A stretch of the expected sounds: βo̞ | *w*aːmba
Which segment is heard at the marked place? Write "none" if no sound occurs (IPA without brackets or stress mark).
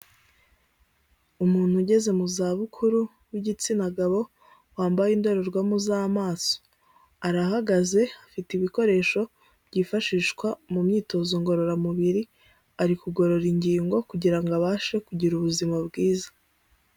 w